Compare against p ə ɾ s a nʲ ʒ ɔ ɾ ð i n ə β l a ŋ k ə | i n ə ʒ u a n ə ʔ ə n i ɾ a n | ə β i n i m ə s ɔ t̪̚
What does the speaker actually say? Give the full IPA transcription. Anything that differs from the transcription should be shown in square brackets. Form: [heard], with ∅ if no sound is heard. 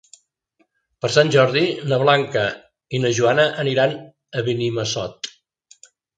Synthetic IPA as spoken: p ə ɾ s a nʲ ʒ ɔ ɾ ð i n ə β l a ŋ k ə | i n ə ʒ u a n ə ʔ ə n i ɾ a n | ə β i n i m ə s ɔ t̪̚